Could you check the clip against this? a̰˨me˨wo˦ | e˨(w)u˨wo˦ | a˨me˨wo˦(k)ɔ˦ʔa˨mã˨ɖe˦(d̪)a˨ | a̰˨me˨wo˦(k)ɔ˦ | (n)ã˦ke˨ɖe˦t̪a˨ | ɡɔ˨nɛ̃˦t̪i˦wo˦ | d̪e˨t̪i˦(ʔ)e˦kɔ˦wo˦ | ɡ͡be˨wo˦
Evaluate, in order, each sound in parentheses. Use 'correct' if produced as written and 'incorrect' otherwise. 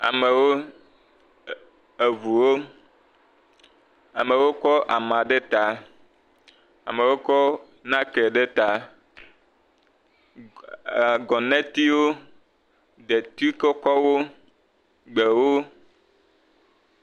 incorrect, correct, incorrect, correct, correct, incorrect

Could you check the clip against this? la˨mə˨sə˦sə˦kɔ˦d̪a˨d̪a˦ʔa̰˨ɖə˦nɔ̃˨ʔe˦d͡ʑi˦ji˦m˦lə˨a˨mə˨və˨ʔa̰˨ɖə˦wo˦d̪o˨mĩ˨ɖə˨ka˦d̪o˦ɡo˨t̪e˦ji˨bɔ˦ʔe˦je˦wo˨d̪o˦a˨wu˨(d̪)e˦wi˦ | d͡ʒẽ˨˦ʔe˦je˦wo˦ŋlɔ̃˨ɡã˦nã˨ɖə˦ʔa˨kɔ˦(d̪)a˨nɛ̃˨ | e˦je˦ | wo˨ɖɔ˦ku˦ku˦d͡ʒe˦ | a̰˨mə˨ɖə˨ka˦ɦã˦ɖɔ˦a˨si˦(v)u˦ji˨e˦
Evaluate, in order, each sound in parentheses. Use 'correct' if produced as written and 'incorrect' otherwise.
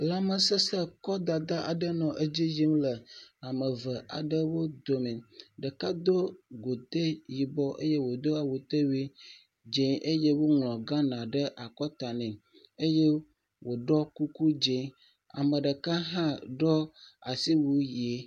incorrect, incorrect, incorrect

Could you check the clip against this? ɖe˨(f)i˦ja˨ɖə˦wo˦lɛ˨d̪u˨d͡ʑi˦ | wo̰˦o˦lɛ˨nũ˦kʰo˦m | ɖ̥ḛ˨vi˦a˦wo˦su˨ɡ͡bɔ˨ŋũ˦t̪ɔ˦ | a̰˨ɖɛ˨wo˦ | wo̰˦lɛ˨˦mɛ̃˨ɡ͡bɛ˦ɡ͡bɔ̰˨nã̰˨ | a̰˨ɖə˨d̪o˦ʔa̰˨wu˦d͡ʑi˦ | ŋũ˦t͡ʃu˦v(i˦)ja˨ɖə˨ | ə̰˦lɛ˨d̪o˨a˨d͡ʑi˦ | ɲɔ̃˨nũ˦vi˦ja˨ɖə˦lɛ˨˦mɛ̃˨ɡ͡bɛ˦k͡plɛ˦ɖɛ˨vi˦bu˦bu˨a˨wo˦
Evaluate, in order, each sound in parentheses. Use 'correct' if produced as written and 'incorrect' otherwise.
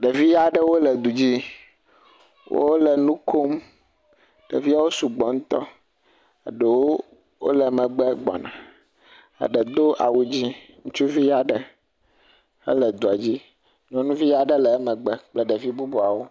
incorrect, correct

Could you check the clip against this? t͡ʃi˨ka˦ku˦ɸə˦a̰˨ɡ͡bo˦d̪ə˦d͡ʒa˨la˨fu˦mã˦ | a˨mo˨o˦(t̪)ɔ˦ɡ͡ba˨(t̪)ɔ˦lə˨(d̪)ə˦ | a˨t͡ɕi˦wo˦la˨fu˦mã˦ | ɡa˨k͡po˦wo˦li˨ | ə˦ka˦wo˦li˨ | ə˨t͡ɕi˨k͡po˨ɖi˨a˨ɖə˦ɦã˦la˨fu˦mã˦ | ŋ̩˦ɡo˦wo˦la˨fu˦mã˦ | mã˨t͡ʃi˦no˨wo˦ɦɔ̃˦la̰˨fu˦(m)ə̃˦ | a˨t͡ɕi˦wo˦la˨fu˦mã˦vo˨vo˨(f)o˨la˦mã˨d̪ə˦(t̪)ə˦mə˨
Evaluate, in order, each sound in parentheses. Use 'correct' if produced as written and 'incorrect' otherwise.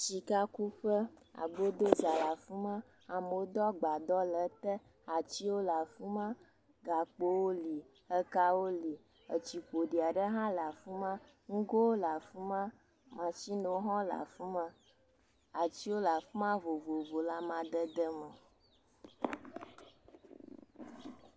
incorrect, incorrect, incorrect, correct, incorrect, incorrect

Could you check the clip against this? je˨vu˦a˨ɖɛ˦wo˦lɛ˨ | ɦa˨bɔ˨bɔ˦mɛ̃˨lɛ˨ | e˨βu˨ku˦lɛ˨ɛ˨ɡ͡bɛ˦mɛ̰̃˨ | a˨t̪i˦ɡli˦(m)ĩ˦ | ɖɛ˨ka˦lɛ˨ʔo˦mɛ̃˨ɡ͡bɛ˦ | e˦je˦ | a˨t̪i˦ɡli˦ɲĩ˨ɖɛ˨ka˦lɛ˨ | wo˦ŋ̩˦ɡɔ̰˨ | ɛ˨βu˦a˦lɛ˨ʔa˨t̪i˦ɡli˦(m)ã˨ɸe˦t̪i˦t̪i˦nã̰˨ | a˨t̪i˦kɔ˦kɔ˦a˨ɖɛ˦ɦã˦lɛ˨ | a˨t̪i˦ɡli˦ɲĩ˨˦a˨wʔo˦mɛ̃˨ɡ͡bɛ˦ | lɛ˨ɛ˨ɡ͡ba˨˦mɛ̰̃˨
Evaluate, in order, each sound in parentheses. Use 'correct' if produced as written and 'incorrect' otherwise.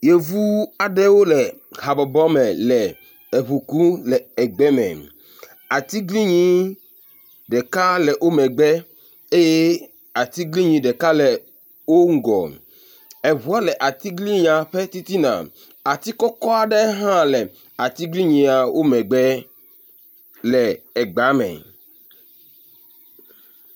incorrect, incorrect

